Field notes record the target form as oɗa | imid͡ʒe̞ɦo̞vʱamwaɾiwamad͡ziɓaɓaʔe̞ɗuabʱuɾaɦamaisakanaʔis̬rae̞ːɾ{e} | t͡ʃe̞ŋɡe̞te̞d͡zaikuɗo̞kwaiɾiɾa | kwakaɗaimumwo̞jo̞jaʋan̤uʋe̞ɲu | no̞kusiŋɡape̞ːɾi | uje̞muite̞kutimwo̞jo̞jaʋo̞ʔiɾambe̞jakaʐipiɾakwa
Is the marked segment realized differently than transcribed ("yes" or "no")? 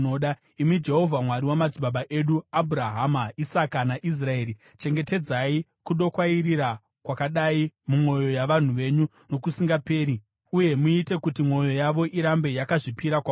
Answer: yes